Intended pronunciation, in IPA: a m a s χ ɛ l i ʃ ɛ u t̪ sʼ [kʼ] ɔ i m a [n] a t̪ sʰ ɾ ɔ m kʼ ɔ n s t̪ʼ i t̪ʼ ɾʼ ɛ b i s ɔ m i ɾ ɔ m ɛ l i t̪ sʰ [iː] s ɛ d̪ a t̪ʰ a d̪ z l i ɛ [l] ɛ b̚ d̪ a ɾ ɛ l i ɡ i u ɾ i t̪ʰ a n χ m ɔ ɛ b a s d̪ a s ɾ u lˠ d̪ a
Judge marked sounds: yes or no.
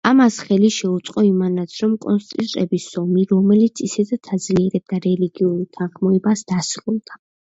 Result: no, yes, no, no

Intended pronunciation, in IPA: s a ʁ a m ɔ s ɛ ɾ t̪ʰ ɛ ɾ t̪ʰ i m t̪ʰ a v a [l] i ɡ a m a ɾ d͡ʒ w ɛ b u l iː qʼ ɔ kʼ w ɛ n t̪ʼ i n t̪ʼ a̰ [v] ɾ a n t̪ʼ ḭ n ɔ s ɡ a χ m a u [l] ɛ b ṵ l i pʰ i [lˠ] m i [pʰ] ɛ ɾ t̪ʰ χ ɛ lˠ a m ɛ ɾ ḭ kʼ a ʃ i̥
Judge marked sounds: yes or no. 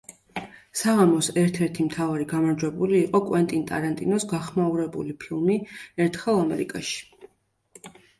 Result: no, no, no, yes, no

